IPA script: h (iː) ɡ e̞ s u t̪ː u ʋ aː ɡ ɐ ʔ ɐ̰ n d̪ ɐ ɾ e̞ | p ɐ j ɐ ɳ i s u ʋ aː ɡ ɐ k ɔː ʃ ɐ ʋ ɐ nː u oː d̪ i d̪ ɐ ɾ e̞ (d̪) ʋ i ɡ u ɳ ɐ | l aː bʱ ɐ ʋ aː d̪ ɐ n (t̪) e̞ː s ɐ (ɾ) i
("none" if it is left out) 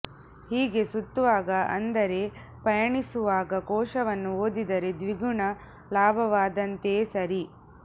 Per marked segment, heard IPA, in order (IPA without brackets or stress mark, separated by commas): iː, d̪, t̪, ɾ